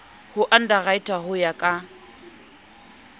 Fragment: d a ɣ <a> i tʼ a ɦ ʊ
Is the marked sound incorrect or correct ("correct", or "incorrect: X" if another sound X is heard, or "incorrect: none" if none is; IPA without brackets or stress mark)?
correct